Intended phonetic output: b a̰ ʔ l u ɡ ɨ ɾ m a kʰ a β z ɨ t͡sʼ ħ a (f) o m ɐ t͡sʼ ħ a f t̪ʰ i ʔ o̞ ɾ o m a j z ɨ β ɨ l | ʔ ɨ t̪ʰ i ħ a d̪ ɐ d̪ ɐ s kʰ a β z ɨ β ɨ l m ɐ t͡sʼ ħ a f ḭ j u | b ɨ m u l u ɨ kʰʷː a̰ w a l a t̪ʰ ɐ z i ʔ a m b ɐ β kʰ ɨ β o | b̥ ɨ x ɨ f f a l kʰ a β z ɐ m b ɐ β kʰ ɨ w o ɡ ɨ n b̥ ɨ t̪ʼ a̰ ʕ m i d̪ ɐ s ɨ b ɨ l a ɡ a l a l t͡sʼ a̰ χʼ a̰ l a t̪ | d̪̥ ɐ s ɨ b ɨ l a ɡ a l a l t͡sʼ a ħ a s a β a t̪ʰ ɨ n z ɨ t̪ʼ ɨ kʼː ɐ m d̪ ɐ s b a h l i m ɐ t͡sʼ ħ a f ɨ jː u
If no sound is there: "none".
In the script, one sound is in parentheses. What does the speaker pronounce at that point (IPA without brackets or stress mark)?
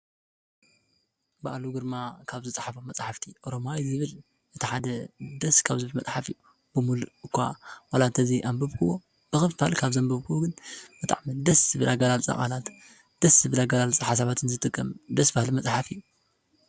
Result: f